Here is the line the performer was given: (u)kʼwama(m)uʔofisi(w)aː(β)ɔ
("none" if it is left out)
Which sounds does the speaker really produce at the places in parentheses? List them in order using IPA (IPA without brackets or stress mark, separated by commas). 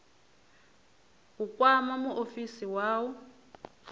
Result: u, m, w, w